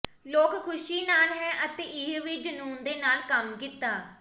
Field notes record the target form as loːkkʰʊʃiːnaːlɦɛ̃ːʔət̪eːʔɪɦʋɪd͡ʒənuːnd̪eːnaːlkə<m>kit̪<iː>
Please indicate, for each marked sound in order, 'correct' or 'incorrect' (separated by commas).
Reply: correct, incorrect